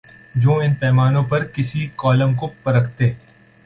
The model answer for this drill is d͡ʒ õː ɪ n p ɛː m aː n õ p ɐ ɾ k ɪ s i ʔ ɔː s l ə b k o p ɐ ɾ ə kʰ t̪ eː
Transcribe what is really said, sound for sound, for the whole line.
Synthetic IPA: d͡ʒ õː ɪ n p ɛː m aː n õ p ɐ ɾ k ɪ s i k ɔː l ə m k o p ɐ ɾ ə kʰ t̪ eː